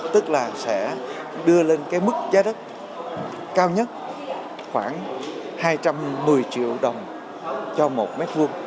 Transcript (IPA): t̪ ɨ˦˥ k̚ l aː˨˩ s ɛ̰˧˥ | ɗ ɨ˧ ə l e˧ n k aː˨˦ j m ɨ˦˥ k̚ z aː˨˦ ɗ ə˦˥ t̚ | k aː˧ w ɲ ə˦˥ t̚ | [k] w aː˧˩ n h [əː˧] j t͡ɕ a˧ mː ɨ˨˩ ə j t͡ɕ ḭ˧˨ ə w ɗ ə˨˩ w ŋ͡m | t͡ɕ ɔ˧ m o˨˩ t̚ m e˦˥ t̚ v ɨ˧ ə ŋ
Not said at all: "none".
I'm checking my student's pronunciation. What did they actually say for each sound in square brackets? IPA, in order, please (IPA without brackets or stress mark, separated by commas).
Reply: x, aː˧